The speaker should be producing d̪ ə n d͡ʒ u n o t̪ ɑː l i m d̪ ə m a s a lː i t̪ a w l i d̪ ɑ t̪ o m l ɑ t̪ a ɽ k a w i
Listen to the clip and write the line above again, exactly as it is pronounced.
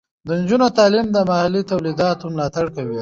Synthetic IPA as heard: d̪ ə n d͡ʒ u n o t̪ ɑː l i m d̪ ə m a h a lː i t̪ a w l i d̪ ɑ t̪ o m l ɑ t̪ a ɽ k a w i